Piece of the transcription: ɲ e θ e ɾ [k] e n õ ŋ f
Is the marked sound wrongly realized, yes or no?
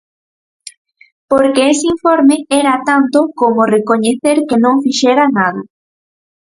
no